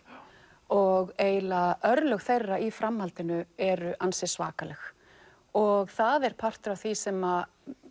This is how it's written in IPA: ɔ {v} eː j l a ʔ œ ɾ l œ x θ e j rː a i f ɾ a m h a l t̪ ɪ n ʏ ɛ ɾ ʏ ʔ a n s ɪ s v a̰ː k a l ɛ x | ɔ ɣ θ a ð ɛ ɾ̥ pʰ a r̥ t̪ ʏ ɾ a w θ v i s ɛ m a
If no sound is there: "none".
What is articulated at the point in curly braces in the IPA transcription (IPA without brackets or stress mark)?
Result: ɣ